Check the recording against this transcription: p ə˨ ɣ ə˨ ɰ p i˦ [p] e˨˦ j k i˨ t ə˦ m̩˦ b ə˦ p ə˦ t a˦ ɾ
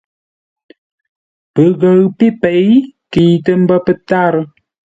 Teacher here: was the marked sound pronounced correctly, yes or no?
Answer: yes